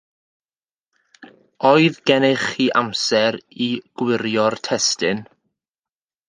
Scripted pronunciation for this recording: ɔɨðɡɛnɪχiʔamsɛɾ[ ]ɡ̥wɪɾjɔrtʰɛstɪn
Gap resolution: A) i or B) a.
A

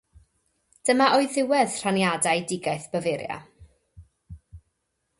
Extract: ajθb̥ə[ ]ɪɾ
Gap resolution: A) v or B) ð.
A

